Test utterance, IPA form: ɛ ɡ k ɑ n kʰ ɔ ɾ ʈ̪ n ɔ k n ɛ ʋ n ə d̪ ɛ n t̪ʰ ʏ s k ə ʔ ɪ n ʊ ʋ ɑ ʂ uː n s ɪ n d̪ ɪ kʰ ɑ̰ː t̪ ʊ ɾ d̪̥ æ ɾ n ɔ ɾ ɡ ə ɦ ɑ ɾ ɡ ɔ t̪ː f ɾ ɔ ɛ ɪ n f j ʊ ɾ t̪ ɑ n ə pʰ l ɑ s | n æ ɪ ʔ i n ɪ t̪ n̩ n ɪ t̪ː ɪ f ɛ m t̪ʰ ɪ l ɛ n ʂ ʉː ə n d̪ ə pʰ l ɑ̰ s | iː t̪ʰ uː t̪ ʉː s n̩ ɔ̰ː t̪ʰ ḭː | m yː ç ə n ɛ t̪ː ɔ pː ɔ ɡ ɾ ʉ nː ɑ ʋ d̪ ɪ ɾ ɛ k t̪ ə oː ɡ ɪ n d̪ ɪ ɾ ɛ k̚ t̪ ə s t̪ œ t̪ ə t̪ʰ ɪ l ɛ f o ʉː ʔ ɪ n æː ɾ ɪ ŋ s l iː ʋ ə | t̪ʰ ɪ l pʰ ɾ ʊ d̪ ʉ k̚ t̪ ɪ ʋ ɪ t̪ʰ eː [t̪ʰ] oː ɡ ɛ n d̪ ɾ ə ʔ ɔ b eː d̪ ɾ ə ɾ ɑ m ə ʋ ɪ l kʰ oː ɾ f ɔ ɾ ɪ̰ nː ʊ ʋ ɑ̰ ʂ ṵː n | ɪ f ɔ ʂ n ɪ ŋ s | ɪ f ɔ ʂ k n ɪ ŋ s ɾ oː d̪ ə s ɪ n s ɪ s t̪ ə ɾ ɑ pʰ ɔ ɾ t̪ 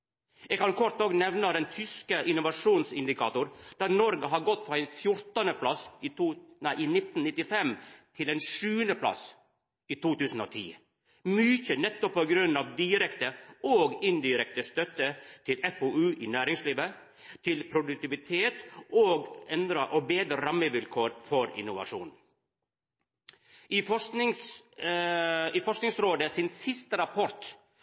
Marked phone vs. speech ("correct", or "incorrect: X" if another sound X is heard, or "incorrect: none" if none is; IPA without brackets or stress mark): incorrect: t̪